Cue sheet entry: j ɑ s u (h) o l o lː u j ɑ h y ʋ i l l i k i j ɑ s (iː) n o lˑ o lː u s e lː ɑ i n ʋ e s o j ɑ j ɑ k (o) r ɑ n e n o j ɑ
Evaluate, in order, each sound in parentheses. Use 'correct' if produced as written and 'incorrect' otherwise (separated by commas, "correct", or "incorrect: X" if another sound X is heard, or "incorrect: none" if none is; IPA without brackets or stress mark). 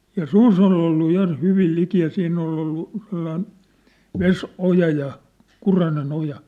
incorrect: s, correct, incorrect: u